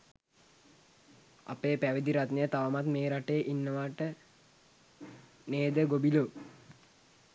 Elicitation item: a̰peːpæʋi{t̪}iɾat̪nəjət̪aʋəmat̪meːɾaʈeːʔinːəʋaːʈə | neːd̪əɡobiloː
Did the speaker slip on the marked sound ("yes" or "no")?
yes